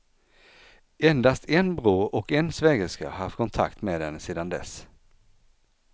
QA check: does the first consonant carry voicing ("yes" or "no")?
yes